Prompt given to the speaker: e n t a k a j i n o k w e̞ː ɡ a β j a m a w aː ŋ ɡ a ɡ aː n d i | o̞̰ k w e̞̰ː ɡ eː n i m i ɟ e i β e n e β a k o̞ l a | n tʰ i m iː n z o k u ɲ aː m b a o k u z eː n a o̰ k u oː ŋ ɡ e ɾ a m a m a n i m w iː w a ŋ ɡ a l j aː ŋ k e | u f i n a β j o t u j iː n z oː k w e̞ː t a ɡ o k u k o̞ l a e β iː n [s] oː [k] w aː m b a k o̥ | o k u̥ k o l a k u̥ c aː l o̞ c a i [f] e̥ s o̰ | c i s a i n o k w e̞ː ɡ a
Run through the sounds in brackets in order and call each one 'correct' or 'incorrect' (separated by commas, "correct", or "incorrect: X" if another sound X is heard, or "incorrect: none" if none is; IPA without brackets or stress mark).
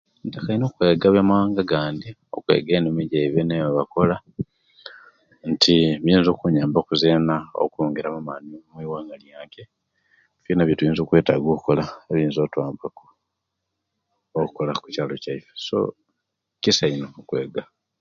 incorrect: z, incorrect: t, correct